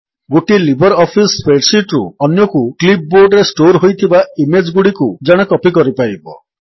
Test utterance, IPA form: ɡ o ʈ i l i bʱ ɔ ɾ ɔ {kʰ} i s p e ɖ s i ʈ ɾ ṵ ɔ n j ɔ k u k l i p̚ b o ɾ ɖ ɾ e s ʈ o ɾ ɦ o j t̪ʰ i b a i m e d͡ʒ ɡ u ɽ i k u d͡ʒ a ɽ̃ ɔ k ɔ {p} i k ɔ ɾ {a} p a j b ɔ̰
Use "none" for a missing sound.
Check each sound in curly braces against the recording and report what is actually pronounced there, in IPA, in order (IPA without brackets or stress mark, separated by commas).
pʰ, p, i